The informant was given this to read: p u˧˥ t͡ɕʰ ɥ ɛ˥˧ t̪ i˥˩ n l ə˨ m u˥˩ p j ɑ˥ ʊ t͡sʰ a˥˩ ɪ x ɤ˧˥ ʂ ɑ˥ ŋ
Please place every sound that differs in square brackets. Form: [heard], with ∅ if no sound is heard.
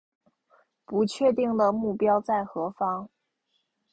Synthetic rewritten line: p u˧˥ t͡ɕʰ ɥ ɛ˥˧ t̪ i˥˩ [ŋ] l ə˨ m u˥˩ p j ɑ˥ ʊ [t͡s] a˥˩ ɪ x ɤ˧˥ [f] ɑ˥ ŋ